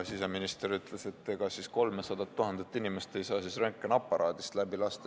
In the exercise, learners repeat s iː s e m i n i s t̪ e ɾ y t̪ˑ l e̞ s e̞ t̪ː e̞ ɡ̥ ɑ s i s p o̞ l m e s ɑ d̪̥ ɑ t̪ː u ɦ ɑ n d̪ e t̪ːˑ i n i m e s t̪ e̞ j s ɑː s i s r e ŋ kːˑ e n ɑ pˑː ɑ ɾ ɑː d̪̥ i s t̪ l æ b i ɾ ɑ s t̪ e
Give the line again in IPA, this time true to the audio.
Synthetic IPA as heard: s i s e m i n i s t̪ e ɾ y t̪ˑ l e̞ s e̞ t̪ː e̞ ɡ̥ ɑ s i s k o̞ l m e s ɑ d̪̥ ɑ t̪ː u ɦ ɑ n d̪ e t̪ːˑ i n i m e s t̪ e̞ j s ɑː s i s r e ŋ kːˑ e n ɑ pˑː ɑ ɾ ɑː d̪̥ i s t̪ l æ b i l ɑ s t̪ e